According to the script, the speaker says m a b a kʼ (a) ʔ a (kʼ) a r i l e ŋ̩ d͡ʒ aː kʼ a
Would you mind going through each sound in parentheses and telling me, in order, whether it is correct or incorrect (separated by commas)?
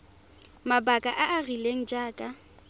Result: correct, incorrect